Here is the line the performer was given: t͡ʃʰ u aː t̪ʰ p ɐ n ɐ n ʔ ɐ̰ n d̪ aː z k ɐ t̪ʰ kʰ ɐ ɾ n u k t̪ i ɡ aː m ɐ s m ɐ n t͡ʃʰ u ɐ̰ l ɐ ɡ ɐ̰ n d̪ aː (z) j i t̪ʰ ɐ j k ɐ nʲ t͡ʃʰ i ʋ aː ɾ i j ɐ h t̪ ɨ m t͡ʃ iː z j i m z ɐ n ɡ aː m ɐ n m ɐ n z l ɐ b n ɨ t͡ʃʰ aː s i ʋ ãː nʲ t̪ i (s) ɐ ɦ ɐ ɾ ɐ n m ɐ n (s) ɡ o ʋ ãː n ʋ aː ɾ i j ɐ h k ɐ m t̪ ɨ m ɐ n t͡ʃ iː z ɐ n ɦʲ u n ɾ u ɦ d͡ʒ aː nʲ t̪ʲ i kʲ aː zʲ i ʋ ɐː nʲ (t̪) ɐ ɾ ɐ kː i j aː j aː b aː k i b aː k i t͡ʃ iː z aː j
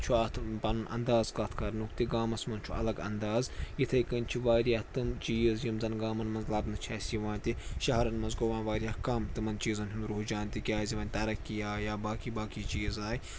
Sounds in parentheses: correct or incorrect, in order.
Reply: correct, incorrect, incorrect, correct

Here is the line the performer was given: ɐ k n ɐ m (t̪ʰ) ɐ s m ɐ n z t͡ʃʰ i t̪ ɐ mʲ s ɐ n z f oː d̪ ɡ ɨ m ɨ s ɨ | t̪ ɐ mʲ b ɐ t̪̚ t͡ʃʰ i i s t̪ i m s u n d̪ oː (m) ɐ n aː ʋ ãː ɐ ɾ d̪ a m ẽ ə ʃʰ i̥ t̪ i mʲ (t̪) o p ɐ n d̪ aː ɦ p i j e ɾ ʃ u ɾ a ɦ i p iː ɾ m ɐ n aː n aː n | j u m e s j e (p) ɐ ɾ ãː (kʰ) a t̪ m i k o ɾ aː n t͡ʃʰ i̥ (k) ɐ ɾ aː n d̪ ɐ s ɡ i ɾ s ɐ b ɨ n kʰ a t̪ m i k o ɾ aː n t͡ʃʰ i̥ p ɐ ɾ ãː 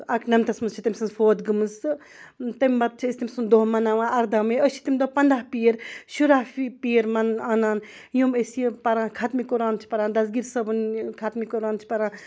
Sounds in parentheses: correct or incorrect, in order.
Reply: incorrect, correct, incorrect, correct, correct, incorrect

